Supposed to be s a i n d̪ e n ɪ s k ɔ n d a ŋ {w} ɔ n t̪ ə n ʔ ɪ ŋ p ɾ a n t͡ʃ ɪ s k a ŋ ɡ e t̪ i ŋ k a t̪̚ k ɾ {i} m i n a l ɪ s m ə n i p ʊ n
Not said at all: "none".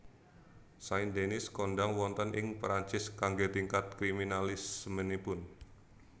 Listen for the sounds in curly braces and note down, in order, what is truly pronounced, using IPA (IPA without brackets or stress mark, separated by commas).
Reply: w, i